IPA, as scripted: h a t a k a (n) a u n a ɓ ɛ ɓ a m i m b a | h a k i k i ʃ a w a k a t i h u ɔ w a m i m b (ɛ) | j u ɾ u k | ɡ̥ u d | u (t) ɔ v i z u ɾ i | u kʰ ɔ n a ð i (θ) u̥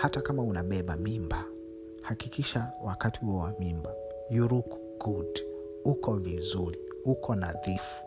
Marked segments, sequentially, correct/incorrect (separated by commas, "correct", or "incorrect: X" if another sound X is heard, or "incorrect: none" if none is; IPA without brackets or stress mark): incorrect: m, incorrect: a, incorrect: k, incorrect: f